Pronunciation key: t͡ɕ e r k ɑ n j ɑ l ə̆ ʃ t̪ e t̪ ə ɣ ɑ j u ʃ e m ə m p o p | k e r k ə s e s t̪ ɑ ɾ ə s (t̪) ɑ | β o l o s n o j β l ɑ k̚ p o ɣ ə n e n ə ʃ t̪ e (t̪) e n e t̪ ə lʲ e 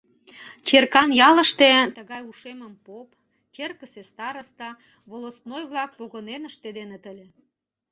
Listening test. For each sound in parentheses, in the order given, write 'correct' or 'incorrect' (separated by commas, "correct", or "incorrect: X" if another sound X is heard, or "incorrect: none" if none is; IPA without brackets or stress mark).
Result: correct, incorrect: d̪